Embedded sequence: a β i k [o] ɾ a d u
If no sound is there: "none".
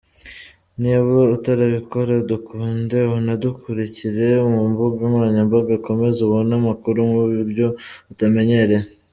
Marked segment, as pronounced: o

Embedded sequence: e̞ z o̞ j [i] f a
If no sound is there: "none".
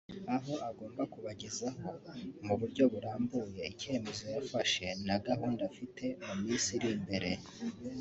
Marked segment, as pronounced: a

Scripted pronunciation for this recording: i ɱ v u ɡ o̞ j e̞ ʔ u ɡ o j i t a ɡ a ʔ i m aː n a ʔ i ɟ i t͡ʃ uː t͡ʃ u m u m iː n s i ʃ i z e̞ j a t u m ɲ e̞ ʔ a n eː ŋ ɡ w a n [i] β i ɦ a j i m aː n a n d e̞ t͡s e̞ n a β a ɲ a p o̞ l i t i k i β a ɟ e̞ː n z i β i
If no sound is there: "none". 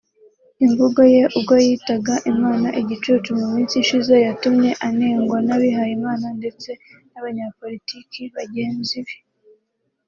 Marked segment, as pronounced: a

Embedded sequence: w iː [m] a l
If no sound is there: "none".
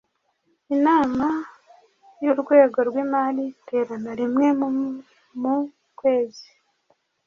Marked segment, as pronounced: m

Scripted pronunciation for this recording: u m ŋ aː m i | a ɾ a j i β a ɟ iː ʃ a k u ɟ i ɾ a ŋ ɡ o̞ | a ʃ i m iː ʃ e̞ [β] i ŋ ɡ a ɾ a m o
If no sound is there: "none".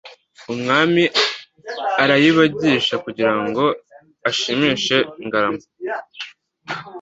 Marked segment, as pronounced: none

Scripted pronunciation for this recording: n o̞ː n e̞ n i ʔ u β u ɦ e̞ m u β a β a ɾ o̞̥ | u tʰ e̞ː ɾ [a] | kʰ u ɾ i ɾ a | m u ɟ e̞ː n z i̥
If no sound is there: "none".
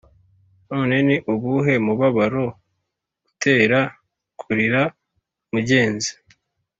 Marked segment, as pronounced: a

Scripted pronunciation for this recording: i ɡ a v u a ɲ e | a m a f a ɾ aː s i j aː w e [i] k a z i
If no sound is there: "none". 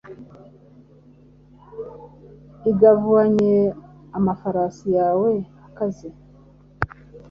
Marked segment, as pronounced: a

